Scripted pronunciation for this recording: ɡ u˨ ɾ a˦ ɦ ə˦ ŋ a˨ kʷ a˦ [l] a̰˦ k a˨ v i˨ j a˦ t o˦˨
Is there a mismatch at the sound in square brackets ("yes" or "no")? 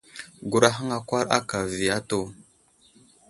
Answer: yes